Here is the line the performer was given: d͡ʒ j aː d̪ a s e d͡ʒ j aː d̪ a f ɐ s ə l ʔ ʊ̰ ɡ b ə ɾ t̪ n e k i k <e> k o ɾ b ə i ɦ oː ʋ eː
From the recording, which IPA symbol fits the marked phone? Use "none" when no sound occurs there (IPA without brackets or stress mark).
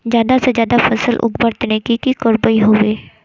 i